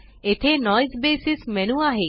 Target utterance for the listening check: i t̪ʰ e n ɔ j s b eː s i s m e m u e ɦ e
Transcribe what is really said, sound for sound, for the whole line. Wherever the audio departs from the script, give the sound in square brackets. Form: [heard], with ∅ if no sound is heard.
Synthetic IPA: [e] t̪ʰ e n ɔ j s b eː s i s m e [n] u [a] ɦ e